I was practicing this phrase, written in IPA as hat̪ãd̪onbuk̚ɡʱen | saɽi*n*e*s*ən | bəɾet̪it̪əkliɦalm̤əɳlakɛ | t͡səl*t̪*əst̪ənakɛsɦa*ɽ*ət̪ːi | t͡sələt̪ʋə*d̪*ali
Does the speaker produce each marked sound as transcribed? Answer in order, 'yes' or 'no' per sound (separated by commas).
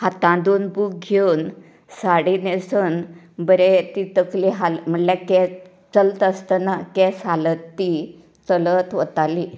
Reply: yes, yes, yes, no, no